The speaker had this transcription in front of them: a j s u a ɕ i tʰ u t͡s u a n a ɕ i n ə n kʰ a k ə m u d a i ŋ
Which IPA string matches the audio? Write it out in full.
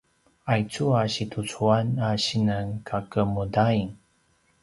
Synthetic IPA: a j t͡s u a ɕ i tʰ u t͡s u a n a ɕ i n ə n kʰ a k ə m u d a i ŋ